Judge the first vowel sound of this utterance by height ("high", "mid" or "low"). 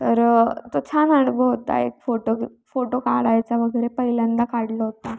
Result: mid